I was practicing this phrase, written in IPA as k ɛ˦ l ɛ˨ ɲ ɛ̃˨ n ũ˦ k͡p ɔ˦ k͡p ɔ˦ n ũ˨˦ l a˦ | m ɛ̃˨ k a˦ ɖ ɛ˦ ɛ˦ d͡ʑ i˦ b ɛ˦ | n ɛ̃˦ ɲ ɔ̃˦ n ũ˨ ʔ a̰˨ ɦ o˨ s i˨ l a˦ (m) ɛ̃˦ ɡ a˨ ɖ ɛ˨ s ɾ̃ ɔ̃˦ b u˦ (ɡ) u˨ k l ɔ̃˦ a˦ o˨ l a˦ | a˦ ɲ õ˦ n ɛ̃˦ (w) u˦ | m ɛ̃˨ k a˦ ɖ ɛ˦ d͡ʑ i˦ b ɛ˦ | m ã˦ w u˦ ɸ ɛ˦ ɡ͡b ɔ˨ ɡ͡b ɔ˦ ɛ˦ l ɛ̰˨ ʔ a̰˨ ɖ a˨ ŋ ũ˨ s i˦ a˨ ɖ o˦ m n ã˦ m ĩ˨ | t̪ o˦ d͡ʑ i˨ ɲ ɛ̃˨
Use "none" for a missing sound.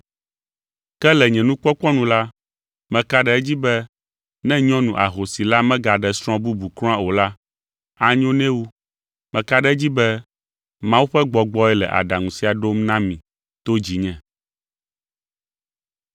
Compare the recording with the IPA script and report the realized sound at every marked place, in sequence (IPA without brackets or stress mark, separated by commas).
m, b, w